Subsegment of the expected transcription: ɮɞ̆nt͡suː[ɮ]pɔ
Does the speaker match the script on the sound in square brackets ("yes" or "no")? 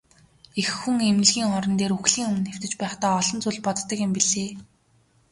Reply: yes